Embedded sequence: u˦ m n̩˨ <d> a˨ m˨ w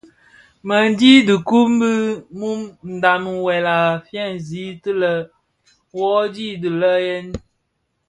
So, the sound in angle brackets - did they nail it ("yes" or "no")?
yes